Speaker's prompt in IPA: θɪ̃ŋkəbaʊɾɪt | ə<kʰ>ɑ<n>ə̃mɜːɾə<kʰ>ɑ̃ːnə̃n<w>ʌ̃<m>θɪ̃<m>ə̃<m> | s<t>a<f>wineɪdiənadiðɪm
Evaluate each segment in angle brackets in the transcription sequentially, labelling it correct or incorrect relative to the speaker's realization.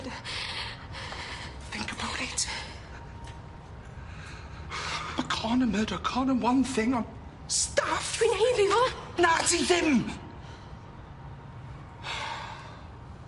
correct, correct, correct, correct, incorrect: n, incorrect: ŋ, incorrect: n, correct, correct

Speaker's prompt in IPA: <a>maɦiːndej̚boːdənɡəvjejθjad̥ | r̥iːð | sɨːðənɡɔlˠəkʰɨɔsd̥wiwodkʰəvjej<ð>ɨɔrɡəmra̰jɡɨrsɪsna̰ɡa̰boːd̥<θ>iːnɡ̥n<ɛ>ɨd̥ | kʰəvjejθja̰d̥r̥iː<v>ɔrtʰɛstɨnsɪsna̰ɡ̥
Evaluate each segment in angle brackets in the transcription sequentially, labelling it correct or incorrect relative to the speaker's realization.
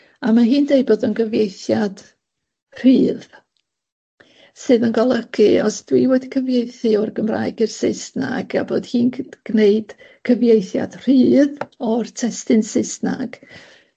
correct, incorrect: θ, incorrect: h, incorrect: e, incorrect: ð

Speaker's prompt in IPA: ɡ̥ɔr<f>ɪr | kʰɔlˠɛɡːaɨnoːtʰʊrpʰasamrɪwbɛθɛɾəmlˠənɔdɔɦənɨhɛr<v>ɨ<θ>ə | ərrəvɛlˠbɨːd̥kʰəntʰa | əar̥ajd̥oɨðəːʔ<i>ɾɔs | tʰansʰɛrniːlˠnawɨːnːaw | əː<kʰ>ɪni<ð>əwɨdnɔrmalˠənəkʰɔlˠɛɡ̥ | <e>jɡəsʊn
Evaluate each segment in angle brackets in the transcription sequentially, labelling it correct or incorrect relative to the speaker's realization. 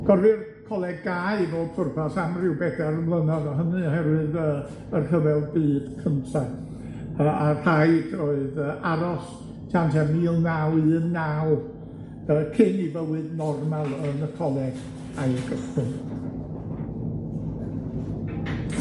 incorrect: v, incorrect: w, incorrect: ð, incorrect: a, correct, incorrect: v, incorrect: a

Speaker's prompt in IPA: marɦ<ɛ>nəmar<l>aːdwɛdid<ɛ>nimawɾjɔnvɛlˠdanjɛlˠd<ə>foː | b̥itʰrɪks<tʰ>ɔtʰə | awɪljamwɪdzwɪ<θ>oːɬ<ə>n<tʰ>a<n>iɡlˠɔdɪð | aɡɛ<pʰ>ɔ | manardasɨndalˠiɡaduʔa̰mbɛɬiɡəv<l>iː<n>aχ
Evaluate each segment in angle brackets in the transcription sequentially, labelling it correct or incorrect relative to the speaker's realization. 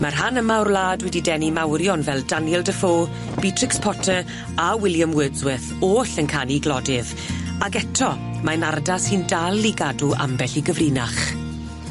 incorrect: a, correct, correct, correct, incorrect: pʰ, correct, correct, incorrect: kʰ, correct, incorrect: tʰ, incorrect: r, correct

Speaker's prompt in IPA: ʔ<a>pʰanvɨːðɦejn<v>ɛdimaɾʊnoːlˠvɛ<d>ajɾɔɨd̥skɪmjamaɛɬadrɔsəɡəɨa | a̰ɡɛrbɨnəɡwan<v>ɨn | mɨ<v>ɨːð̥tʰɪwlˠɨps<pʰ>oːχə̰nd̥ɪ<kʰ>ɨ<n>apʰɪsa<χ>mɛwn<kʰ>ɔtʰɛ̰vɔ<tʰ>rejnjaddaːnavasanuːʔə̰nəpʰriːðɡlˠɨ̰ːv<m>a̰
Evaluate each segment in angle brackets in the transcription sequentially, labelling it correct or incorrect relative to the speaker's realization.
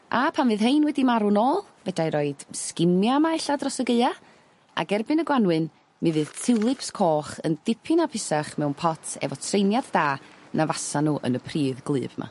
correct, incorrect: w, correct, incorrect: w, correct, incorrect: kʰ, incorrect: pʰ, correct, correct, incorrect: pʰ, correct, correct

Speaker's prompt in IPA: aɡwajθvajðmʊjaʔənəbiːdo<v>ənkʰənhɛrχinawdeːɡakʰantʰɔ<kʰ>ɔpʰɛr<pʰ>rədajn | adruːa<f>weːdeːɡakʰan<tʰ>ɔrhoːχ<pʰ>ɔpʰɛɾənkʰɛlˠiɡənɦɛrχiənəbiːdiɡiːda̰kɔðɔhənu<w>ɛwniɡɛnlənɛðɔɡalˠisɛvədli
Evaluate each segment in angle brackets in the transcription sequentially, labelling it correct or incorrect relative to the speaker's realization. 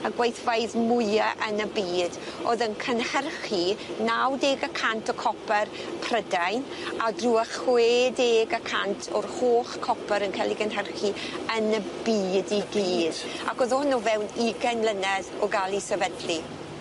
incorrect: ð, correct, correct, incorrect: χ, correct, incorrect: kʰ, incorrect: v

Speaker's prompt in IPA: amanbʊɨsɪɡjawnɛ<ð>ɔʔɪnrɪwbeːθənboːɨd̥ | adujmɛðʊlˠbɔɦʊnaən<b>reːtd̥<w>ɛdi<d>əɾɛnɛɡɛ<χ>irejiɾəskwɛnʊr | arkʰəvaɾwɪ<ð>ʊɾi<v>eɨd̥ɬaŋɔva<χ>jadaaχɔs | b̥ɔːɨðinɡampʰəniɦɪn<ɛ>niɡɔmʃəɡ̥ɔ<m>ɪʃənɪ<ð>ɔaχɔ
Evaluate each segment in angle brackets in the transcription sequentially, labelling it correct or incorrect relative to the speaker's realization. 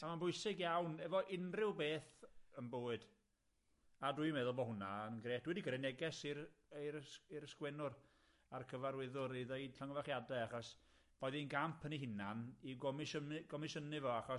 incorrect: v, incorrect: ɡ, correct, incorrect: ɡ, incorrect: s, correct, incorrect: ð, correct, incorrect: a, correct, incorrect: v

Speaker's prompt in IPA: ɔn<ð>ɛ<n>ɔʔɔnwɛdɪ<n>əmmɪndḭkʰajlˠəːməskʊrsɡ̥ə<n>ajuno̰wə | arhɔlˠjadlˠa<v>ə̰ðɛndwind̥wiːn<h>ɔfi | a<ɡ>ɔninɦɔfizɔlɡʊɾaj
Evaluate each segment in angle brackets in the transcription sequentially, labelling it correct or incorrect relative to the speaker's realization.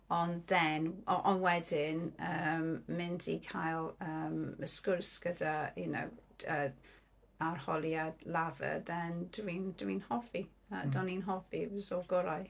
correct, correct, correct, incorrect: d, correct, correct, incorrect: d

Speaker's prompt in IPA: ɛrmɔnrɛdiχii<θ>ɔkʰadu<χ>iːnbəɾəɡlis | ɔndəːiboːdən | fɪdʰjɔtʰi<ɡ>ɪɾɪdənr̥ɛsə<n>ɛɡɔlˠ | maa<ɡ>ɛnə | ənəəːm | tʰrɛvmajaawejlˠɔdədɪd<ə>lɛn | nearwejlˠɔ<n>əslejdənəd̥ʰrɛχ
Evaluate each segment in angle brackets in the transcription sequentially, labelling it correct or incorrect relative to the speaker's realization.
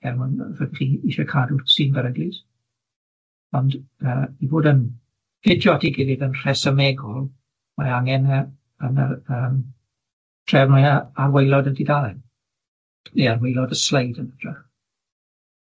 incorrect: ʃ, incorrect: s, correct, incorrect: m, incorrect: ŋ, incorrect: a, incorrect: d

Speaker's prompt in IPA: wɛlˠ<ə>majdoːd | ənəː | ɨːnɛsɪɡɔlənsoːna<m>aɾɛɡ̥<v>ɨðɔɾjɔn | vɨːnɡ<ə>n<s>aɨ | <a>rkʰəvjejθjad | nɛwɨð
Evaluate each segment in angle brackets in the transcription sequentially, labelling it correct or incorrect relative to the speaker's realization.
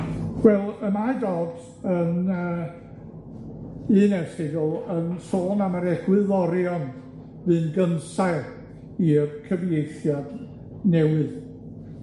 correct, correct, incorrect: w, correct, correct, incorrect: i

